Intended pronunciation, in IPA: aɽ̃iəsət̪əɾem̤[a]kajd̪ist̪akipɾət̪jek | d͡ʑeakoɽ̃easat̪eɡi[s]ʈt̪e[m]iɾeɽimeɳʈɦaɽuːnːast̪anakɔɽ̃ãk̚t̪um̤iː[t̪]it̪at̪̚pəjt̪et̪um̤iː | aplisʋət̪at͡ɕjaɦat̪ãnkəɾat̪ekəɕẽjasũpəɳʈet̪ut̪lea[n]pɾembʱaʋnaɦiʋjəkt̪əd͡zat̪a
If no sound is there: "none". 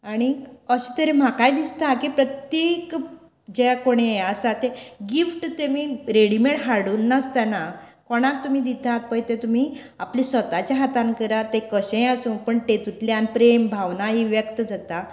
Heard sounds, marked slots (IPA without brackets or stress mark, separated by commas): a, f, m, d̪, n